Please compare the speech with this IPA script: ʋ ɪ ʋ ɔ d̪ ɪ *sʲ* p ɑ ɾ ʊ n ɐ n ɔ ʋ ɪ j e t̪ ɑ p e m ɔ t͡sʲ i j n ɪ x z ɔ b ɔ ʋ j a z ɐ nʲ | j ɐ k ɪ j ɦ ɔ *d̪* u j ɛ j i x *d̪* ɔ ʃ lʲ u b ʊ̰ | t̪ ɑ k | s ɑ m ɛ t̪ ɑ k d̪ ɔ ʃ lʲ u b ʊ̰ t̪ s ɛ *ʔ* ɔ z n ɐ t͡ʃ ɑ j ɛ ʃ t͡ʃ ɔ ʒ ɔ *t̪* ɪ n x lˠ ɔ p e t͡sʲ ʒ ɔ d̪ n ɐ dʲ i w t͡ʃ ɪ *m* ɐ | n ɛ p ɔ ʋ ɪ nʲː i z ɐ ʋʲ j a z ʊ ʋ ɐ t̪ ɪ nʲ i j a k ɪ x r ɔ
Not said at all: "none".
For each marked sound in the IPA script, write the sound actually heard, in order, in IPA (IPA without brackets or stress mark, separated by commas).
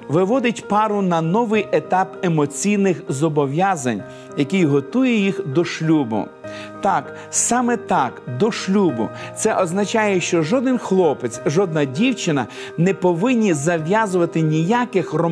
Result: tʲ, t̪, d̪, ʔ, d̪, n